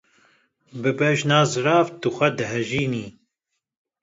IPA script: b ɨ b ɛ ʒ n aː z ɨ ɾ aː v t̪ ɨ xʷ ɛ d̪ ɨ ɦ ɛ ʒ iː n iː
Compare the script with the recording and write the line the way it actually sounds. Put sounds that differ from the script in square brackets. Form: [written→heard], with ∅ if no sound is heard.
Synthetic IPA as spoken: b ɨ b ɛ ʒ n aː z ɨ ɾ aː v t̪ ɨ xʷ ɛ d̪ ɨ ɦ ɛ ʒ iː n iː